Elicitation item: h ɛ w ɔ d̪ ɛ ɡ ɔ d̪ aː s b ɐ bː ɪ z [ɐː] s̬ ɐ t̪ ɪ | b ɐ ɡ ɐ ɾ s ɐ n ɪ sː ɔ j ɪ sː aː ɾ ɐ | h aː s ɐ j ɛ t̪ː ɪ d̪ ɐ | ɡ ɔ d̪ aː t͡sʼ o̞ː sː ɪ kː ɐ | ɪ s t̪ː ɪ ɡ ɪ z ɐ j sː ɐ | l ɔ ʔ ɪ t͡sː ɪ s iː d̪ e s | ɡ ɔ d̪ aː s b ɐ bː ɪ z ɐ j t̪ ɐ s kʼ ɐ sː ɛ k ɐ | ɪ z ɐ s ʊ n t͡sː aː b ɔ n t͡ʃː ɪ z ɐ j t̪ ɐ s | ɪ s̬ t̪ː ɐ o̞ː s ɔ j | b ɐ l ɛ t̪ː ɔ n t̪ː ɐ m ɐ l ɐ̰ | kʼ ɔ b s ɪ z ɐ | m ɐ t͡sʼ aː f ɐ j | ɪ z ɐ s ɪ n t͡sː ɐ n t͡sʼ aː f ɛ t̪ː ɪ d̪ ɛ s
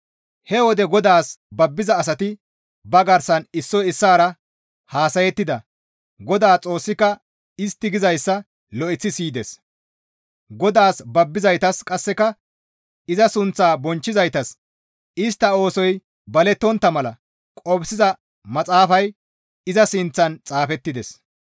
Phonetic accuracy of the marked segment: correct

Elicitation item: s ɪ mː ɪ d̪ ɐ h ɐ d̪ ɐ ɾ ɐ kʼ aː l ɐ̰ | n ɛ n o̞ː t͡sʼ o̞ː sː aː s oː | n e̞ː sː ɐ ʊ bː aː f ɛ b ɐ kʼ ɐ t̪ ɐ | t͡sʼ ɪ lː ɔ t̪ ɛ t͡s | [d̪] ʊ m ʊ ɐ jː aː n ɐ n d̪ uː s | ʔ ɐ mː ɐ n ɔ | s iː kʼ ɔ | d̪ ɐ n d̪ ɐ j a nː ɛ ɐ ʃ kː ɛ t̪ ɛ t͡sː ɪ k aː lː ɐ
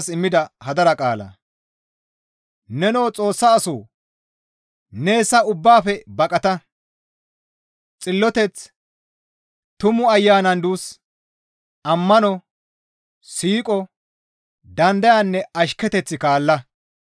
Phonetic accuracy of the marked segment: incorrect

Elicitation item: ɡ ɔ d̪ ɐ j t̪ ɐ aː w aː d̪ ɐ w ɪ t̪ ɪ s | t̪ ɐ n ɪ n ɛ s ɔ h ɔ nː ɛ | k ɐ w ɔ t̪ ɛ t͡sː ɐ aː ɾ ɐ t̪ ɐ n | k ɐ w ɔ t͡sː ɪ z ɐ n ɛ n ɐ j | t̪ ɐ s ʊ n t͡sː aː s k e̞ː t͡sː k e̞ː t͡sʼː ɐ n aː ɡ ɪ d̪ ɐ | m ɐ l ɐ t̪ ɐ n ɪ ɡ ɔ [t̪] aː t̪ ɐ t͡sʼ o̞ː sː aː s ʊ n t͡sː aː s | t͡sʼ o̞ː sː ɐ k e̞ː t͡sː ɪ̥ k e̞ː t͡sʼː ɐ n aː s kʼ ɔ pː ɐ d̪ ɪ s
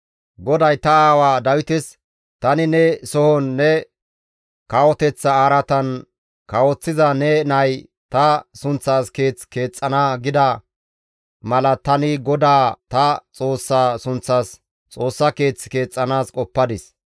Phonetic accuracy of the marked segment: incorrect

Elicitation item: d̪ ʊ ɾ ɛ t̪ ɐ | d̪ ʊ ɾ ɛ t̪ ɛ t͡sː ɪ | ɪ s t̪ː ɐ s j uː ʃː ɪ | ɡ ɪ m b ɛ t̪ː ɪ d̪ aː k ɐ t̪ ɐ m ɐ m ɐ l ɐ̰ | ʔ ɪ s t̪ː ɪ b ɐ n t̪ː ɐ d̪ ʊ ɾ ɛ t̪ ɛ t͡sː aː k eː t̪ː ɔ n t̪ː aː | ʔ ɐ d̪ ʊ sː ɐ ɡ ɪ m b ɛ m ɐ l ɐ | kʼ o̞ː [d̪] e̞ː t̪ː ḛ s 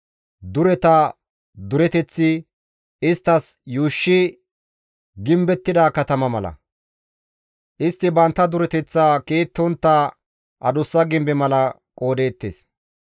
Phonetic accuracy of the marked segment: correct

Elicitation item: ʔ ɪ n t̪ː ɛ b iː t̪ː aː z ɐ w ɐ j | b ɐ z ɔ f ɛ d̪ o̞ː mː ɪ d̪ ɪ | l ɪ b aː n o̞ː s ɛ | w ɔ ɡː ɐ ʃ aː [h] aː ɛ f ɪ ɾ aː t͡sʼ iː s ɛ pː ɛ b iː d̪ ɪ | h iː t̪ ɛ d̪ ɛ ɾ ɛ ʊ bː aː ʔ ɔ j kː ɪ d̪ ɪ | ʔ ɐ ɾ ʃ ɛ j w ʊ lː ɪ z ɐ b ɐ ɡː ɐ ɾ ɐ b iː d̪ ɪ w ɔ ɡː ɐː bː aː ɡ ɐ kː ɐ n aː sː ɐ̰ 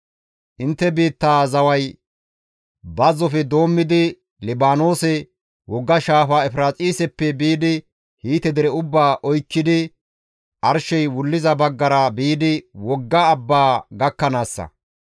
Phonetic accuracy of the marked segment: incorrect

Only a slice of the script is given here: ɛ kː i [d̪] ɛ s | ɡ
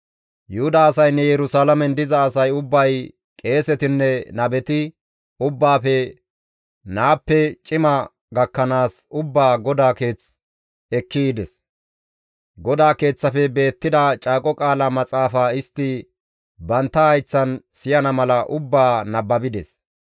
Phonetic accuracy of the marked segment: correct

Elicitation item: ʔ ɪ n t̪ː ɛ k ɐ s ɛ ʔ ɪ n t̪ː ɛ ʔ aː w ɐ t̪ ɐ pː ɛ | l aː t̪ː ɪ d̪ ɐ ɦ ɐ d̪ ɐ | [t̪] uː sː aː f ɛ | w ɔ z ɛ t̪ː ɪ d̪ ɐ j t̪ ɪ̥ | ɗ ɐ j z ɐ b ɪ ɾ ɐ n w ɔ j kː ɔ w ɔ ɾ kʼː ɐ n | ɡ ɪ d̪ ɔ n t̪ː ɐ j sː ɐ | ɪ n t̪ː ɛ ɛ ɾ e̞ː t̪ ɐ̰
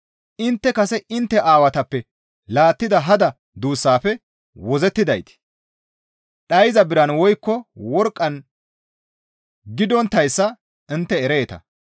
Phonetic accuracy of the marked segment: incorrect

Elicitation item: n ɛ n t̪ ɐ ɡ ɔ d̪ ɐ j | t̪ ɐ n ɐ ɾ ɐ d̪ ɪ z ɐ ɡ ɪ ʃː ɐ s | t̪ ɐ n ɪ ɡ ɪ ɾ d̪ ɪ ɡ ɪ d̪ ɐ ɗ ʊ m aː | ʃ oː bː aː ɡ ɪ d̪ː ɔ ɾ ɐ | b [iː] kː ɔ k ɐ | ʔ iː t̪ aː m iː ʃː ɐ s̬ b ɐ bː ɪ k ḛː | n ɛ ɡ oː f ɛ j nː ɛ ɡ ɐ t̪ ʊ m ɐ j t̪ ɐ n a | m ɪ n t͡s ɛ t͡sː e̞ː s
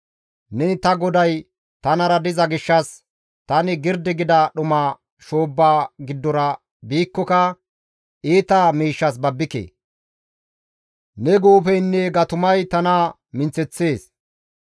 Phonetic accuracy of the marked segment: correct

